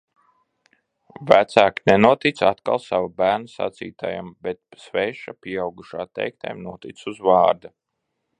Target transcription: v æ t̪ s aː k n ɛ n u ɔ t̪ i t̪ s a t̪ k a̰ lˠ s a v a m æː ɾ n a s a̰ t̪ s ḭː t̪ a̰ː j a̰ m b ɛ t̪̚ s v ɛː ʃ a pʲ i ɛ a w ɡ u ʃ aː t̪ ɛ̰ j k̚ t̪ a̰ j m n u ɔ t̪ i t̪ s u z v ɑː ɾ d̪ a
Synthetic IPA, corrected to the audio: v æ t̪ s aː k n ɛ n u ɔ t̪ i t̪ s a t̪ k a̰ lˠ s a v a b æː ɾ n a s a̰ t̪ s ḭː t̪ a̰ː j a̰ m b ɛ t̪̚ s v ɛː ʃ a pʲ i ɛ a w ɡ u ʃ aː t̪ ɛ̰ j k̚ t̪ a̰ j m n u ɔ t̪ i t̪ s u z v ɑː ɾ d̪ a